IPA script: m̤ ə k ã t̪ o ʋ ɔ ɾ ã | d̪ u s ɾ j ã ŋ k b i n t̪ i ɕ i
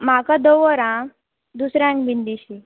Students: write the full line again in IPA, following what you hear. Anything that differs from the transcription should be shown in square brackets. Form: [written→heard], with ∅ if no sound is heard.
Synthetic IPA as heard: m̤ [ə→a] k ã [t̪→d̪] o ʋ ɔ ɾ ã | d̪ u s ɾ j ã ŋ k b i n [t̪→d̪] i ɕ i

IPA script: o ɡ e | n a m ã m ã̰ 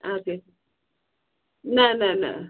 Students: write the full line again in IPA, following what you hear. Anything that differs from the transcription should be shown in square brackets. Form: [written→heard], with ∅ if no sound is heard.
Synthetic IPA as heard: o [ɡ→k] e | n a [m→n] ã [m→n] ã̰

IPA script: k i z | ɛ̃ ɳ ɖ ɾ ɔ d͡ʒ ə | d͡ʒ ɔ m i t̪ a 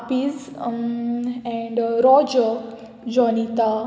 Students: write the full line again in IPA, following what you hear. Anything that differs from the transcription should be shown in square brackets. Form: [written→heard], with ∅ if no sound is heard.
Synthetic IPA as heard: [k→p] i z | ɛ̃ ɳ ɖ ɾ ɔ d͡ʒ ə | d͡ʒ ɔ [m→n] i t̪ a

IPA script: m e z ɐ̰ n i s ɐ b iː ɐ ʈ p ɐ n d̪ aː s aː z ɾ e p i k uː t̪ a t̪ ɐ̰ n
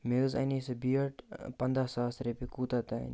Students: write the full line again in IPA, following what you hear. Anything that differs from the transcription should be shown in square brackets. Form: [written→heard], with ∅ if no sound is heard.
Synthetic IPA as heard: m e z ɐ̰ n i s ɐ b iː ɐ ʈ p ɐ n d̪ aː s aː [z→s] ɾ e p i k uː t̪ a t̪ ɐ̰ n

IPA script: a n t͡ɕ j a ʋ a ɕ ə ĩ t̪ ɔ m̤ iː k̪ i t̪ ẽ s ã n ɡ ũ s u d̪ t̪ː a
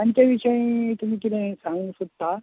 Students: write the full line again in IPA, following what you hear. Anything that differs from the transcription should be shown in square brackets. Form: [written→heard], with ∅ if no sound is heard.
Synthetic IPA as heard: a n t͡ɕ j a ʋ [a→i] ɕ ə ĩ t̪ [ɔ→u] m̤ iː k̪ i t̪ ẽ s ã [n→ŋ] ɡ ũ s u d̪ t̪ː a

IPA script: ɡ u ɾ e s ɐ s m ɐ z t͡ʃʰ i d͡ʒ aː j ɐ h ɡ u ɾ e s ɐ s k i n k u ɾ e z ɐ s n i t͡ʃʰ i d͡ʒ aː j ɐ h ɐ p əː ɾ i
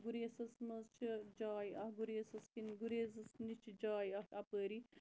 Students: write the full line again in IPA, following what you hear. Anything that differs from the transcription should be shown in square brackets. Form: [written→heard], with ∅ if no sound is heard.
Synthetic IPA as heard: ɡ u ɾ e s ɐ s m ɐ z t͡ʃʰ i d͡ʒ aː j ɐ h ɡ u ɾ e s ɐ s k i n [k→ɡ] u ɾ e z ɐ s n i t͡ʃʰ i d͡ʒ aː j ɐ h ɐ p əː ɾ i

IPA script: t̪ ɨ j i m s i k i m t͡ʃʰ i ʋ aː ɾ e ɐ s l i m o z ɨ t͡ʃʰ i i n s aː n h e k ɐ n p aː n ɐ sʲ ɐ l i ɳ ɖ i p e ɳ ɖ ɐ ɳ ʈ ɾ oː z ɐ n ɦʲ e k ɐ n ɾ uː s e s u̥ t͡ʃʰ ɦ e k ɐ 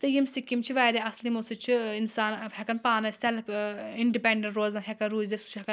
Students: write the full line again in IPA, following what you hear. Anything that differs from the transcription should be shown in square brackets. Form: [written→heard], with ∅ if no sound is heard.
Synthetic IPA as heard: t̪ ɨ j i m s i k i m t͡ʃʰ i ʋ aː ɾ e ɐ s l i m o [z→s] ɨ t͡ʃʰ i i n s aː n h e k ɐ n p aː n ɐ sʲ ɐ l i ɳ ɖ i p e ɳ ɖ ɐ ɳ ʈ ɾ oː z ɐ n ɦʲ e k ɐ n ɾ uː [s→z] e s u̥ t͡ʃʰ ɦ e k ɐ

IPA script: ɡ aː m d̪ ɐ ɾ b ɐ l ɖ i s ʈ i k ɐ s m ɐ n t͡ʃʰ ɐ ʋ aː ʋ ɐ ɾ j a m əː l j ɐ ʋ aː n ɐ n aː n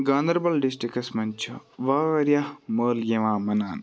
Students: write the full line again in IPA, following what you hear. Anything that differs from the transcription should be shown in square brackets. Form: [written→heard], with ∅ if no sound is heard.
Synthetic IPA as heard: ɡ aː [m→n] d̪ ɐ ɾ b ɐ l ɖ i s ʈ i k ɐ s m ɐ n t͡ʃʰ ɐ ʋ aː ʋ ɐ ɾ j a m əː l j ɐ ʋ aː [n→m] ɐ n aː n

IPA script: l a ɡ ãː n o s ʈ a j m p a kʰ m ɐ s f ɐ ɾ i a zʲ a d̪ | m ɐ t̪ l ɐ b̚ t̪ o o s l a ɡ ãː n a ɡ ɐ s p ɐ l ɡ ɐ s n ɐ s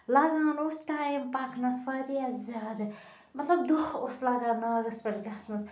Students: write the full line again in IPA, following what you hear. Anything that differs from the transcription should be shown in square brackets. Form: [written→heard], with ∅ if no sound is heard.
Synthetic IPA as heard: l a ɡ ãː n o s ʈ a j m p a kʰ [m→n] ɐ s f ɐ ɾ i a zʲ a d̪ | m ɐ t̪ l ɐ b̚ [t̪→d̪] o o s l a ɡ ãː n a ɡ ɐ s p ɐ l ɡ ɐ s n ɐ s

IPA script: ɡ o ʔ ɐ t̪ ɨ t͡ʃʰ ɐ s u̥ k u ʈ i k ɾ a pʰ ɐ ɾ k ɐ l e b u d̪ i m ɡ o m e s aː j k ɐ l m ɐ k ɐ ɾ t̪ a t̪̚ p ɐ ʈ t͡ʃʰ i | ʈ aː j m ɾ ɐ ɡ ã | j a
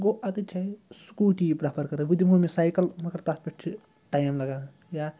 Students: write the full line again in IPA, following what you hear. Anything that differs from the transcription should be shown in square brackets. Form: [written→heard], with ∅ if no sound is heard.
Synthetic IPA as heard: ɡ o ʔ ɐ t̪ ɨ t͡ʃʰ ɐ s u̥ k u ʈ i [k→p] ɾ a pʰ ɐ ɾ k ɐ [l→ɾ] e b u d̪ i m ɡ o m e s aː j k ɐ l m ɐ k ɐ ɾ t̪ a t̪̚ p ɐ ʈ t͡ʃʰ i | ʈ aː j m [ɾ→l] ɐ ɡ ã | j a

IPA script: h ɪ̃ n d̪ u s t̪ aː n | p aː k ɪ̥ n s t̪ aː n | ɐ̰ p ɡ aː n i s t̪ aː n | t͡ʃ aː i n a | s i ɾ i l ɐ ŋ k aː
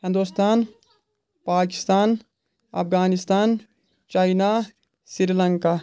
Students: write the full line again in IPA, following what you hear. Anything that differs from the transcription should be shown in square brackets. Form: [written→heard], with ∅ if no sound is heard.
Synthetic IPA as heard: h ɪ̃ n d̪ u s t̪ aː n | p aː k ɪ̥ [n→∅] s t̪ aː n | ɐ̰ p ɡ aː n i s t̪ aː n | t͡ʃ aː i n a | s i ɾ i l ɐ ŋ k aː

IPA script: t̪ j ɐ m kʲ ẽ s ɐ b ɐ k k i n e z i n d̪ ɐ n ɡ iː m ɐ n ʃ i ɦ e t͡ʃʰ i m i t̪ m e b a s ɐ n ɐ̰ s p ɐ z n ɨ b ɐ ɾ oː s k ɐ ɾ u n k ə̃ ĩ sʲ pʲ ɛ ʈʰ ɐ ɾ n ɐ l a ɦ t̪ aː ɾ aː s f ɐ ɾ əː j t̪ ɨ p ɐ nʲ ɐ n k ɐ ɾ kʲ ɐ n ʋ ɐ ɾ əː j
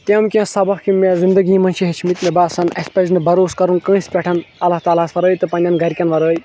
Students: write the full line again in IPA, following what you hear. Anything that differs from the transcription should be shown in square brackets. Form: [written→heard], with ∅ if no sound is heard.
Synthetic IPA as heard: t̪ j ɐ m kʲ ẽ s ɐ b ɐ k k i [n→m] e z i n d̪ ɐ [n→∅] ɡ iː m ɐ n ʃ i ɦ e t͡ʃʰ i m i t̪ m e b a s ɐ n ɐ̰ s p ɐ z n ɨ b ɐ ɾ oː s k ɐ ɾ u n k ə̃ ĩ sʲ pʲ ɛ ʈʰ ɐ [ɾ→∅] n ɐ l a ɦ t̪ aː [ɾ→l] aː s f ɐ ɾ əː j t̪ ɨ p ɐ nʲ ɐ n [k→ɡ] ɐ ɾ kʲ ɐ n ʋ ɐ ɾ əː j

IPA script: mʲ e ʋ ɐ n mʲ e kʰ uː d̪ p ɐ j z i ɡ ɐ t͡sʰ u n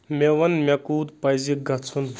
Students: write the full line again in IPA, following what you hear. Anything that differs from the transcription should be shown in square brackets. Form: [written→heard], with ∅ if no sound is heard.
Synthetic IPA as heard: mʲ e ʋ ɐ n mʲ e [kʰ→k] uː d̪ p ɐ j z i ɡ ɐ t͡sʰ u n

